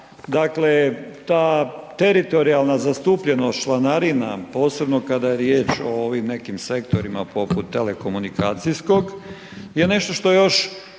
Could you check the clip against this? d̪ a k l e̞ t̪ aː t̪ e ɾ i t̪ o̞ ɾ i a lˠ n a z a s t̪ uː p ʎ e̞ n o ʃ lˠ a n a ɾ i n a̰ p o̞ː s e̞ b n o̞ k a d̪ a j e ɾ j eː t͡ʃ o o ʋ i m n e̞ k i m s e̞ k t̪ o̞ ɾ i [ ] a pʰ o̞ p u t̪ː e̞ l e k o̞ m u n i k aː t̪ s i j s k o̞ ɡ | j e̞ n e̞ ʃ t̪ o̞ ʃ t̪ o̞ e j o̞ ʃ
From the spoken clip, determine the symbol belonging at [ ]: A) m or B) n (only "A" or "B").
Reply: A